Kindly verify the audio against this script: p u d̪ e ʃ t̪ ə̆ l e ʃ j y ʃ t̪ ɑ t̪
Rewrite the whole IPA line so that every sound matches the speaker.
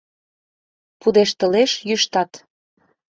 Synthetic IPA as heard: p u d̪ e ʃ t̪ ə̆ l e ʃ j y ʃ t̪ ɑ t̪

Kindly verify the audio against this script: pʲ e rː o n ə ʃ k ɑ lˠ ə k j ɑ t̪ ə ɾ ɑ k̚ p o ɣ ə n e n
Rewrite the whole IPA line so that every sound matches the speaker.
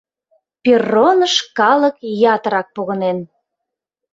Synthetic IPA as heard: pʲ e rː o n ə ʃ k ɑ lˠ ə k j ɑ t̪ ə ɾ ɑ k̚ p o ɣ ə n e n

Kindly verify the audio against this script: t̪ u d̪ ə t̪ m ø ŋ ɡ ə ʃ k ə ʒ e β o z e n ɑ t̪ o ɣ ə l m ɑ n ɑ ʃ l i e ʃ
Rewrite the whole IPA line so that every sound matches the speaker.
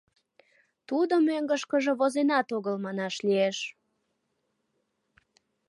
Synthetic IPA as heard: t̪ u d̪ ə m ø ŋ ɡ ə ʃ k ə ʒ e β o z e n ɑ t̪ o ɣ ə l m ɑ n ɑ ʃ l i e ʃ

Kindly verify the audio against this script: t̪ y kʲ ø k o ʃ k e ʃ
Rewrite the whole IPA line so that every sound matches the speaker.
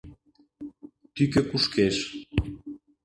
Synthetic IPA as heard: t̪ y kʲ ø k u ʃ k e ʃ

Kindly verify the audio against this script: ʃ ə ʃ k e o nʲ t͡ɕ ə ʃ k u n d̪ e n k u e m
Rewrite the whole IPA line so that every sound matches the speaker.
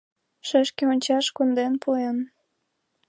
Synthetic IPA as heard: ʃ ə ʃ k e o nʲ t͡ɕ ɑ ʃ k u n d̪ e n p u e n

